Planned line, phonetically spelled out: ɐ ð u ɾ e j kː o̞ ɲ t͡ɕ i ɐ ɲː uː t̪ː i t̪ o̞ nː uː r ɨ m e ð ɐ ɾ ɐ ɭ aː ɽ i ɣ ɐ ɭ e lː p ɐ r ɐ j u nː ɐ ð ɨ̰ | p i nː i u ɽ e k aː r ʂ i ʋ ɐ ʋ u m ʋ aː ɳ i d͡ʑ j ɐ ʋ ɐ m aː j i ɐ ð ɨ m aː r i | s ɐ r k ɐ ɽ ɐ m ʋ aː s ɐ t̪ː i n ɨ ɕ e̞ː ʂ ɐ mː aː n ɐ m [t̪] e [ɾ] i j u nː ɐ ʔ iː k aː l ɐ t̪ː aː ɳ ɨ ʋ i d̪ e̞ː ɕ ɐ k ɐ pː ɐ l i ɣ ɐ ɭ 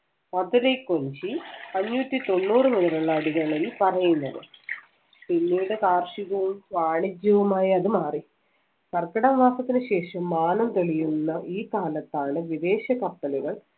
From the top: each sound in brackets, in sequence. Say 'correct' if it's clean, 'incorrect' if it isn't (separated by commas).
correct, incorrect